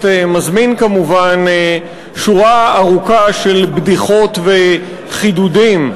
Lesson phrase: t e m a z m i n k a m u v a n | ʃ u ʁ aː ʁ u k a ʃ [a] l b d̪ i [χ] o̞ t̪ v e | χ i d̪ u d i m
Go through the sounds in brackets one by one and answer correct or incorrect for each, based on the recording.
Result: incorrect, correct

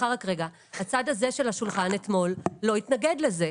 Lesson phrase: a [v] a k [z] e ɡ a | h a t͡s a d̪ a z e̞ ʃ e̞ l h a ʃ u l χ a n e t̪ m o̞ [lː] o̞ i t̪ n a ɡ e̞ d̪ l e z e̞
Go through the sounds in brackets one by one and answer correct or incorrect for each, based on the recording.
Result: incorrect, incorrect, correct

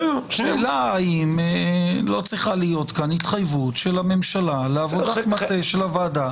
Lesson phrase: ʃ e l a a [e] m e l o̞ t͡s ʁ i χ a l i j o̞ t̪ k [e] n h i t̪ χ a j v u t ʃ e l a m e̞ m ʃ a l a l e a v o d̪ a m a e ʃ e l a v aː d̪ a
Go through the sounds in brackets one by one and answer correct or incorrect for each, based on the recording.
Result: incorrect, incorrect

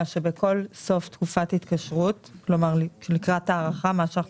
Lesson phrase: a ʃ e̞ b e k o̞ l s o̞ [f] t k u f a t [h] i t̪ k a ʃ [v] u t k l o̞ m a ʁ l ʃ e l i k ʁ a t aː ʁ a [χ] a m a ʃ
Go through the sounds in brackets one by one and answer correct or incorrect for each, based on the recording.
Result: correct, correct, incorrect, correct

